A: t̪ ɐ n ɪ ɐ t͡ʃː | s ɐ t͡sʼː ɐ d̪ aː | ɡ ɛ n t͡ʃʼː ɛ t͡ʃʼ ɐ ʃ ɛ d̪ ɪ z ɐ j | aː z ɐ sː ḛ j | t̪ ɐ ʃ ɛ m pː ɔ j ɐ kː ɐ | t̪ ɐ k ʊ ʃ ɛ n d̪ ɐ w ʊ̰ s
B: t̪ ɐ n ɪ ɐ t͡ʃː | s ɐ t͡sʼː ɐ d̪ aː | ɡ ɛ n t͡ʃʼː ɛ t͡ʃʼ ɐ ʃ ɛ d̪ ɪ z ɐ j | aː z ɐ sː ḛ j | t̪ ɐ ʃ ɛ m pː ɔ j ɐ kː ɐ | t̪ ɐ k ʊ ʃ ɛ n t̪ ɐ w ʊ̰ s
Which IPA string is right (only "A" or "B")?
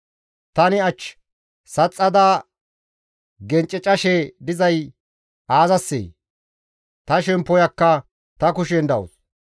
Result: A